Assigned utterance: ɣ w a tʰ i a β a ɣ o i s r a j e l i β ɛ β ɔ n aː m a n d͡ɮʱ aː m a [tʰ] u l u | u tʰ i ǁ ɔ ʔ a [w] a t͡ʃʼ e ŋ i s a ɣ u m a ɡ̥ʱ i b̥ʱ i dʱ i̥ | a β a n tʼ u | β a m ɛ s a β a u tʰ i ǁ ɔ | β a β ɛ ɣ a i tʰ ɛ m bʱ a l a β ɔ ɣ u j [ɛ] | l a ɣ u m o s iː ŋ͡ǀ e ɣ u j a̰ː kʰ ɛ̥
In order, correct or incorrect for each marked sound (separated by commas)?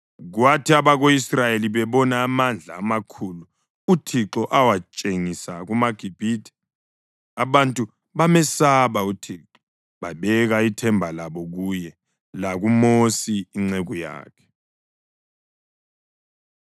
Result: incorrect, correct, correct